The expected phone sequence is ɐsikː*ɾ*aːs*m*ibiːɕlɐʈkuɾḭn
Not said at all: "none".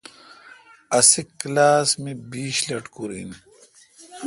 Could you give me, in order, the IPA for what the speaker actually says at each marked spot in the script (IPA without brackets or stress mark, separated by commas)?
l, m